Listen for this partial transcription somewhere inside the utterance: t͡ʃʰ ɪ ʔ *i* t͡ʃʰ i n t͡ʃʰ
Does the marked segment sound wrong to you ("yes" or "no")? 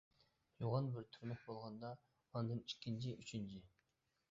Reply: yes